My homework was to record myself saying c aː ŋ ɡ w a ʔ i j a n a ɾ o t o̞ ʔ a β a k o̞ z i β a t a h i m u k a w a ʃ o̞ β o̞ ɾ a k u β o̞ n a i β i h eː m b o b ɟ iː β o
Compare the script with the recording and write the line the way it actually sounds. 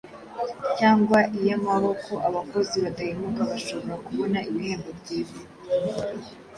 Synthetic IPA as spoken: c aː ŋ ɡ w a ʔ i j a m a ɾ o k o̞ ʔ a β a k o̞ z i β a t a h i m u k a β a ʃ o̞ β o̞ ɾ a k u β o̞ n a i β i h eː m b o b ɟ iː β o